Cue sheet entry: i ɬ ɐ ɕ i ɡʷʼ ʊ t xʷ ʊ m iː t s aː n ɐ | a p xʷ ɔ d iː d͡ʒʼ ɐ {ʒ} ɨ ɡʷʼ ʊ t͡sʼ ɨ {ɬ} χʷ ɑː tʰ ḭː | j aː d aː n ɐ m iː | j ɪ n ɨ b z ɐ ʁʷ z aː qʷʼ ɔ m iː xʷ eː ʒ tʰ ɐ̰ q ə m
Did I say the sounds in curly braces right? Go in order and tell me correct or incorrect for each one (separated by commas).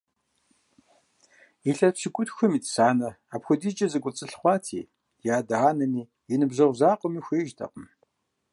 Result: incorrect, correct